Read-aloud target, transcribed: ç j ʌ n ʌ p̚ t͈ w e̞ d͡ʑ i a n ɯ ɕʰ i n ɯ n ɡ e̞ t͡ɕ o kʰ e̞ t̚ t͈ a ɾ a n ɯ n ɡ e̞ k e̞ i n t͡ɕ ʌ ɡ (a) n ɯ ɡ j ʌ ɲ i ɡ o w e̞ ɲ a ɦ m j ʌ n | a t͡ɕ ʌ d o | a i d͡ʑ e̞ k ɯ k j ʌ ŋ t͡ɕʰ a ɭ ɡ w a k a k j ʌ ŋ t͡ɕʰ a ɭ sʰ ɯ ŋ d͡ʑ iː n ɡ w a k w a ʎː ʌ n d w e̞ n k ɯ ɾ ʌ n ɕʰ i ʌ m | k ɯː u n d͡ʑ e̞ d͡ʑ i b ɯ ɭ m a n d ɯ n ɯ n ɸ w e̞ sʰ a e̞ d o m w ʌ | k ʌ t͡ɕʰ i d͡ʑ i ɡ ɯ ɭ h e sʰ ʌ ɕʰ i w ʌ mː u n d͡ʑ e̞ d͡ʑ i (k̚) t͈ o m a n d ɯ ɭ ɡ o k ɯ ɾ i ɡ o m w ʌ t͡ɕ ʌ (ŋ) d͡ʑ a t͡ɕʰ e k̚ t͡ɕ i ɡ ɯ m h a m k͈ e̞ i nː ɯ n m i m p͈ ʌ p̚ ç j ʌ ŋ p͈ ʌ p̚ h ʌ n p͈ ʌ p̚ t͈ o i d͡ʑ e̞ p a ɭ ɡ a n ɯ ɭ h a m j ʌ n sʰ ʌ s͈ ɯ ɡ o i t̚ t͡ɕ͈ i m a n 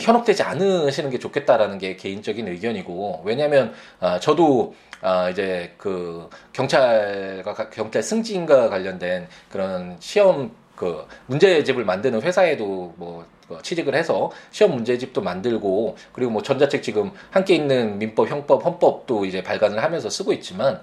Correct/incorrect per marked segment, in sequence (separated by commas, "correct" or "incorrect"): incorrect, incorrect, incorrect